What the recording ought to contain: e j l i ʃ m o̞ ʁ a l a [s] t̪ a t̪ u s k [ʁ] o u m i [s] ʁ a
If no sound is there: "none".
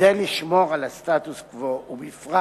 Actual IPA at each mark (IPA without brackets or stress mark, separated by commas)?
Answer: s, v, f